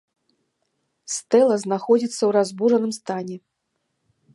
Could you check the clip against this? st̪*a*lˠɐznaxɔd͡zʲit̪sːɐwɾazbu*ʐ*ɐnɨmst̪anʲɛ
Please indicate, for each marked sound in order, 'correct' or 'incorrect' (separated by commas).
incorrect, correct